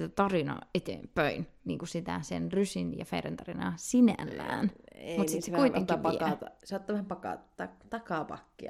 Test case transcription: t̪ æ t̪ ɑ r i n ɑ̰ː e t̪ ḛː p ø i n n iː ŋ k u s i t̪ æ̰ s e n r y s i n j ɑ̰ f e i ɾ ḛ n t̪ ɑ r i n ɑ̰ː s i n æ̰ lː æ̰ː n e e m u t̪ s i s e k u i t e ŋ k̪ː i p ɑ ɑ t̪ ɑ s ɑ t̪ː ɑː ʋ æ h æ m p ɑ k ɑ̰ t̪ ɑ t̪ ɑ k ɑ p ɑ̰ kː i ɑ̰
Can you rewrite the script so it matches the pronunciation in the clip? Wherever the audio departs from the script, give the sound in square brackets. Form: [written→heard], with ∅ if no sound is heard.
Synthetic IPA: t̪ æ t̪ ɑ r i n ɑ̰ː e t̪ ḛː p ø i n n iː ŋ k u s i t̪ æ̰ s e n r y s i n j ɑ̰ f e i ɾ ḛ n t̪ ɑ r i n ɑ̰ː s i n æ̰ lː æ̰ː n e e m u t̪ s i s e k u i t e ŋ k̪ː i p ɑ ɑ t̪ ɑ s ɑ t̪ː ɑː ʋ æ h æ m p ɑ k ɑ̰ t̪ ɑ t̪ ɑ k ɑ p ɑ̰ kː i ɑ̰